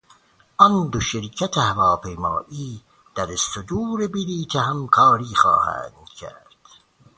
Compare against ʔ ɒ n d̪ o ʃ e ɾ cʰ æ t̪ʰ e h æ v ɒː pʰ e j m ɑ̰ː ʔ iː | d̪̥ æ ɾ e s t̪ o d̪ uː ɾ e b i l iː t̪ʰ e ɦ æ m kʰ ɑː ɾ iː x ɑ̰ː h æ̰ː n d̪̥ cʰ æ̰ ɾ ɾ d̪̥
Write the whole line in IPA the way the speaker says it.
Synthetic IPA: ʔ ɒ n d̪ o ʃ e ɾ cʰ æ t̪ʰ e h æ v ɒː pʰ e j m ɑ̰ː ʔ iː | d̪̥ æ ɾ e s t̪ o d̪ uː ɾ e b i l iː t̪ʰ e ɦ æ m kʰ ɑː ɾ iː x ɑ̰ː h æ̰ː n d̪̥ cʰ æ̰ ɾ ɾ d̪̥